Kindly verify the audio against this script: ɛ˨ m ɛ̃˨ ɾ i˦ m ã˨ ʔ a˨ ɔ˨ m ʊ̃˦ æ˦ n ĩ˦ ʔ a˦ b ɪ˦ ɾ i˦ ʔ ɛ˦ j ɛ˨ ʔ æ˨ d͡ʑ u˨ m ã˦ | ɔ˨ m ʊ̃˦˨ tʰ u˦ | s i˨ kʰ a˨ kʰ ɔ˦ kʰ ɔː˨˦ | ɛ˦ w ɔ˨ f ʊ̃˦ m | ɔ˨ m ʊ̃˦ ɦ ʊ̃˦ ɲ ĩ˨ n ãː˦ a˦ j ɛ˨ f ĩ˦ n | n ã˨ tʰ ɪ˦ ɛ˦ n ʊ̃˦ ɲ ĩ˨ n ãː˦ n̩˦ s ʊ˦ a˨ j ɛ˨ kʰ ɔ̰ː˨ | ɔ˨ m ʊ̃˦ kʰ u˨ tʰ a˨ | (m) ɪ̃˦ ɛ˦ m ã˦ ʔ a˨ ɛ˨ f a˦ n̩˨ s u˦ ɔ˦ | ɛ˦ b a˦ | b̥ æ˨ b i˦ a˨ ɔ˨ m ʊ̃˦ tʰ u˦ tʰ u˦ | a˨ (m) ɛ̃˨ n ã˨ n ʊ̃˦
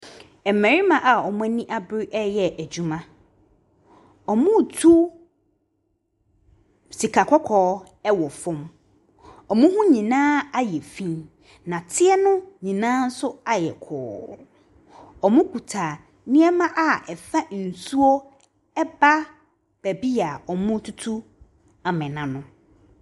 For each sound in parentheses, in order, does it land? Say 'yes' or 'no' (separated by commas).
no, yes